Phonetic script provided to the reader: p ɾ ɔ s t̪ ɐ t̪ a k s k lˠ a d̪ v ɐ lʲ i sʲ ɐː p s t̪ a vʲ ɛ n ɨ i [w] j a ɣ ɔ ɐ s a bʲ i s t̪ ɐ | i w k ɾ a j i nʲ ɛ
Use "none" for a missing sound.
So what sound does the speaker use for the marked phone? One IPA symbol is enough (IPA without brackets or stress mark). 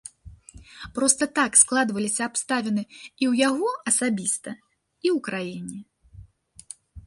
w